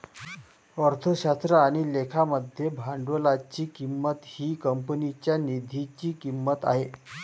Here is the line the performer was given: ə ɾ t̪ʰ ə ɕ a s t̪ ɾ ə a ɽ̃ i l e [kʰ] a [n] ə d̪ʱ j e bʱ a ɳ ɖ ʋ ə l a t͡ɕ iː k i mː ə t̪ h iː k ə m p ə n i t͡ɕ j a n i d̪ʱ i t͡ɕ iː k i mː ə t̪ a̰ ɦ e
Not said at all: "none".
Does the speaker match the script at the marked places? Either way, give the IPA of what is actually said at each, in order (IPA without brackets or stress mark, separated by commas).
kʰ, m